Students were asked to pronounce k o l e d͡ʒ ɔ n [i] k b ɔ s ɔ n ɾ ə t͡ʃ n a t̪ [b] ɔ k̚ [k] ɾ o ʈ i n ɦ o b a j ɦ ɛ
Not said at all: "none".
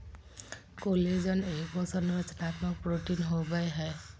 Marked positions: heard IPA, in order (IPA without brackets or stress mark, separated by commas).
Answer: e, m, p